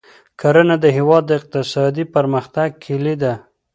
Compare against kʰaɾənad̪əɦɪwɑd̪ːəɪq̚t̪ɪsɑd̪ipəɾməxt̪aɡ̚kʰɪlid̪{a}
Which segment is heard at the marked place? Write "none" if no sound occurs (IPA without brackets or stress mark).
a